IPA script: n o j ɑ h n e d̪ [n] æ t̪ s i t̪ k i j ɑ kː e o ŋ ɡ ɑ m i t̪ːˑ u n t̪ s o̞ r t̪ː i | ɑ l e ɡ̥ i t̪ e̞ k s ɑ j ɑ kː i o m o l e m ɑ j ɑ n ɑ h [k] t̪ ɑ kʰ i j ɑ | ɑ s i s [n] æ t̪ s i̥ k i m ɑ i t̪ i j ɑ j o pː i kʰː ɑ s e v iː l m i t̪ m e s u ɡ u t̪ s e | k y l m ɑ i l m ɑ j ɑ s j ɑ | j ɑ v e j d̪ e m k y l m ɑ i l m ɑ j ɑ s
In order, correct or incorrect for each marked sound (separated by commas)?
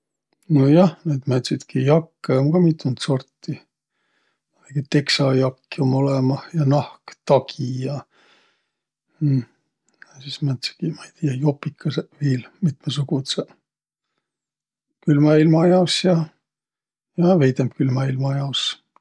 incorrect, correct, incorrect